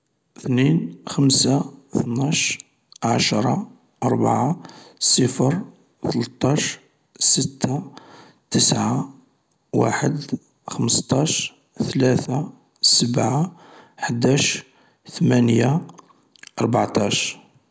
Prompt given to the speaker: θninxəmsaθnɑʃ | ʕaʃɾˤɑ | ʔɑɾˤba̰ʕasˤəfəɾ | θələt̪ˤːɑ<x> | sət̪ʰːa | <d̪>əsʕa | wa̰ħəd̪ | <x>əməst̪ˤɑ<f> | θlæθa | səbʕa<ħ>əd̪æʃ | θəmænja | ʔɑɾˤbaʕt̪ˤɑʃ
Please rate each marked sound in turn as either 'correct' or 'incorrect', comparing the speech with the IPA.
incorrect: ʃ, incorrect: t̪, correct, incorrect: ʃ, correct

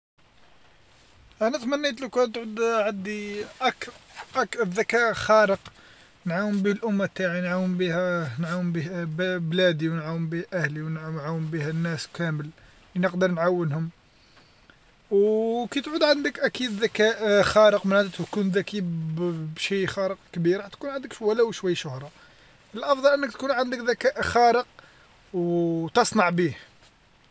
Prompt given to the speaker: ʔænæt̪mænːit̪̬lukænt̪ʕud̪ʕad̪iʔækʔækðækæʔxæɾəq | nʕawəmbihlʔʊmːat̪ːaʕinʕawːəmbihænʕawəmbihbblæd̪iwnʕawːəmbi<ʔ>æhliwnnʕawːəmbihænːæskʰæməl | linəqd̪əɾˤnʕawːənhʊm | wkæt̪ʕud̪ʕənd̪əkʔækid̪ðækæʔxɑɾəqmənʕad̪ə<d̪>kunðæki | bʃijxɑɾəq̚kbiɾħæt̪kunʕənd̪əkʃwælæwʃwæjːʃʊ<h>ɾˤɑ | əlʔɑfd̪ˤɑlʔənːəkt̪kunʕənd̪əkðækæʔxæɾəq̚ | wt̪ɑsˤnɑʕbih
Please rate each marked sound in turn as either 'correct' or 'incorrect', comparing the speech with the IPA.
correct, incorrect: t̪, correct

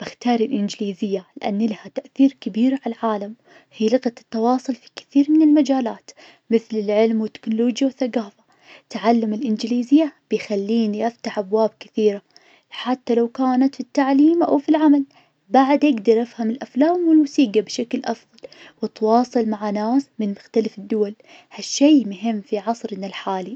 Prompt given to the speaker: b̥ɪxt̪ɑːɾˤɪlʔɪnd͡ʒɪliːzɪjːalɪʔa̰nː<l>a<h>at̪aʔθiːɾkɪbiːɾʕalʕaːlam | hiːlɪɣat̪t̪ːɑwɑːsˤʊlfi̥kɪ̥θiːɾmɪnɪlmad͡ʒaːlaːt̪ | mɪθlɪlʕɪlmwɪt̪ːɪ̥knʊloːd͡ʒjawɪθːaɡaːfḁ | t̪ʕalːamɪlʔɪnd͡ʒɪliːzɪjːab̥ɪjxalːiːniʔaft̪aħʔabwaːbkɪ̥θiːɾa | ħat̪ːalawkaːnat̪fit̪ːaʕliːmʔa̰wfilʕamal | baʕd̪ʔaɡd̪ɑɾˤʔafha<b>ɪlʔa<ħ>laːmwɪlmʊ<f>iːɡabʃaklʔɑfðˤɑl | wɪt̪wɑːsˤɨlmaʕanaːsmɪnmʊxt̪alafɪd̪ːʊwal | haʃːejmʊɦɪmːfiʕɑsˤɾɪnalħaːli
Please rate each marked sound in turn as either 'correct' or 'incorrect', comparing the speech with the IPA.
correct, correct, incorrect: m, incorrect: f, incorrect: s

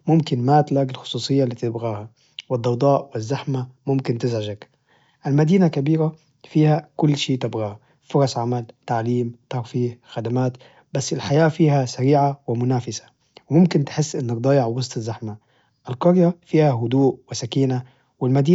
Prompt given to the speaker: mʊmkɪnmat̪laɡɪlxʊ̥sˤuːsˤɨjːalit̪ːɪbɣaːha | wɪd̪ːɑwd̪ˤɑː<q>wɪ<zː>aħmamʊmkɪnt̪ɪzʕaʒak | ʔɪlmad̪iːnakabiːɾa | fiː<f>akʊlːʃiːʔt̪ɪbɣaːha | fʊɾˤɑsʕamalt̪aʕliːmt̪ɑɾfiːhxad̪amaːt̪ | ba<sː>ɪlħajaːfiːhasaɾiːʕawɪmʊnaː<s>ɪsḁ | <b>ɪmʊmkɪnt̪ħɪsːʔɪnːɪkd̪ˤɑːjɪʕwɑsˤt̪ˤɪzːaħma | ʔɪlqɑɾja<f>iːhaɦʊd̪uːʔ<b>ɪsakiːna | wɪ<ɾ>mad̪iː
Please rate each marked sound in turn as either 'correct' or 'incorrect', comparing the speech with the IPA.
incorrect: ʔ, correct, incorrect: h, correct, incorrect: f, incorrect: w, correct, incorrect: w, incorrect: l

